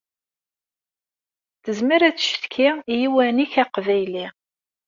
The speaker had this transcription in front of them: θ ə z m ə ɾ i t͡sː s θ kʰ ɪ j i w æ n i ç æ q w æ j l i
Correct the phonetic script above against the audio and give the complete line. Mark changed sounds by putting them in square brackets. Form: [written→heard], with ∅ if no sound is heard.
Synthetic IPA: θ ə z m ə ɾ [i→æ] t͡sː [s→ʃ] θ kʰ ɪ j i w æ n i ç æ q [w→v] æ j l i